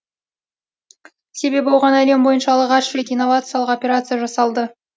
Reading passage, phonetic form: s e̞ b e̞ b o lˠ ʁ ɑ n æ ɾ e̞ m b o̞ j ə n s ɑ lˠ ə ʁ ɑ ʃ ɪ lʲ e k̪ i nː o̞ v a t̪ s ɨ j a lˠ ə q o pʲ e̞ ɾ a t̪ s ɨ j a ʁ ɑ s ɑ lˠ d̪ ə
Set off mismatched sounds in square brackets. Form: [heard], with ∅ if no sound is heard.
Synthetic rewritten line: s e̞ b e̞ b o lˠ ʁ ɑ n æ [l] e̞ m b o̞ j ə n [ʃ] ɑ lˠ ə ʁ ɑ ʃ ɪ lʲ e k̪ i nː o̞ v a t̪ s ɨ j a lˠ ə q o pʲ e̞ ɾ a t̪ s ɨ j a [ʒ] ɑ s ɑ lˠ d̪ ə